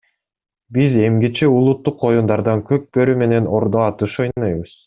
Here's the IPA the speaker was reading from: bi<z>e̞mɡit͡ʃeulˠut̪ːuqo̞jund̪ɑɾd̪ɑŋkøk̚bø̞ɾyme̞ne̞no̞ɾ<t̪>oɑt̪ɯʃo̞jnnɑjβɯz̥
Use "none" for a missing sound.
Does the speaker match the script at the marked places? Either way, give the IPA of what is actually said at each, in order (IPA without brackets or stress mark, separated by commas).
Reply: z, d̪